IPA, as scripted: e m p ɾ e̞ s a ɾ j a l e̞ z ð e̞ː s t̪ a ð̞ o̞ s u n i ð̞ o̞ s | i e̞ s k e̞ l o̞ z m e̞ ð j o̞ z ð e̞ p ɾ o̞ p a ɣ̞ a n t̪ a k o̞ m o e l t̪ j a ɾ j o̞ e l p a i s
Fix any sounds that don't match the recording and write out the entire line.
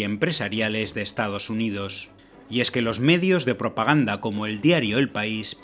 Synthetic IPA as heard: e m p ɾ e̞ s a ɾ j a l e̞ z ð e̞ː s t̪ a ð̞ o̞ s u n i ð̞ o̞ s | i e̞ s k e̞ l o̞ z m e̞ ð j o̞ z ð e̞ p ɾ o̞ p a ɣ̞ a n d̪ a k o̞ m o e l d̪ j a ɾ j o̞ e l p a i s